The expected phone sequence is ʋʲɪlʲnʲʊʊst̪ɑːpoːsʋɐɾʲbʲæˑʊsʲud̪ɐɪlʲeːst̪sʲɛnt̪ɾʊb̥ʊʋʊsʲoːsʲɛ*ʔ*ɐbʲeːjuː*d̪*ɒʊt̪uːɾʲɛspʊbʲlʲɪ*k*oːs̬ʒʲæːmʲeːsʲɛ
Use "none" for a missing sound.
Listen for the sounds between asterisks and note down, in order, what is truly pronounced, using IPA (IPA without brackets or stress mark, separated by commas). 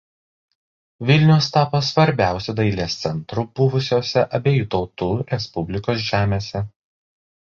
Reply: ʔ, t̪, k